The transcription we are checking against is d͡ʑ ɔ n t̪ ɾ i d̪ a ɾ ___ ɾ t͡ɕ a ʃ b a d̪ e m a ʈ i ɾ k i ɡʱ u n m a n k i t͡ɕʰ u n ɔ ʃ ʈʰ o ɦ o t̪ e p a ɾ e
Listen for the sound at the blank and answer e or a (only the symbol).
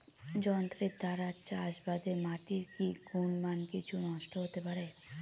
a